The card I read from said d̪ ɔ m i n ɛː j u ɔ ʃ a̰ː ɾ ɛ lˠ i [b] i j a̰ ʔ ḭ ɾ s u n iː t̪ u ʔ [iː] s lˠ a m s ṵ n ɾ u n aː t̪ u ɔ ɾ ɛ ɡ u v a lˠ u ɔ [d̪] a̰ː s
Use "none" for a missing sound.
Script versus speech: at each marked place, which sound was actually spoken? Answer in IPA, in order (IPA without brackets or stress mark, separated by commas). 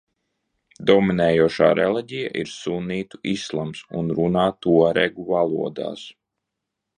ɟ, i, d̪